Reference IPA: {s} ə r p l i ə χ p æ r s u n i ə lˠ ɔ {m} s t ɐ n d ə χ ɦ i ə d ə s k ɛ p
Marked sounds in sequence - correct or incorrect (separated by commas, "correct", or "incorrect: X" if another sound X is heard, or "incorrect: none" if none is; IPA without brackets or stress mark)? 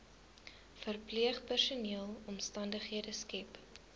incorrect: f, correct